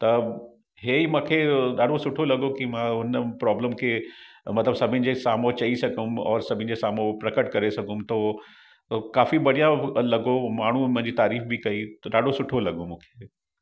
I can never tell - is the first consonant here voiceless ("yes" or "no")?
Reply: yes